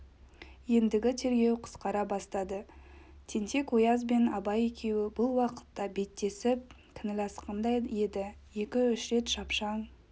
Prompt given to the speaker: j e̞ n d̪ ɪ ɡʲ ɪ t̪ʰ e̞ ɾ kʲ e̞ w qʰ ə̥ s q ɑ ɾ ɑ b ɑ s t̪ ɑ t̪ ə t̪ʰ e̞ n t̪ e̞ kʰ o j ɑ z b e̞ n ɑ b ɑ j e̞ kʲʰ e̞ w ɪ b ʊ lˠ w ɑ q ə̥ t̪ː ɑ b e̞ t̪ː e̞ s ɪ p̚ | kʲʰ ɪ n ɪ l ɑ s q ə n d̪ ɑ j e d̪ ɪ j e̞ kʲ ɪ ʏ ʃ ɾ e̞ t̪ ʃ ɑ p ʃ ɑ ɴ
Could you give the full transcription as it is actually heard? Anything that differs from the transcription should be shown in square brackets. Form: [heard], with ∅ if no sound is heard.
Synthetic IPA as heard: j e̞ n d̪ ɪ ɡʲ ɪ t̪ʰ e̞ ɾ [ɡʲ] e̞ w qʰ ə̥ s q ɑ ɾ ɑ b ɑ s t̪ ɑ [d̪] ə t̪ʰ e̞ n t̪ e̞ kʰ o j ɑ z b e̞ n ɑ b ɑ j e̞ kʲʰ e̞ w ɪ b ʊ lˠ w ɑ q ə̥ t̪ː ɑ b e̞ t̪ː e̞ s ɪ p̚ | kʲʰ ɪ n ɪ l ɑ s q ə n d̪ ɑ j e d̪ ɪ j e̞ kʲ ɪ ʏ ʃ ɾ e̞ t̪ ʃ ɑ p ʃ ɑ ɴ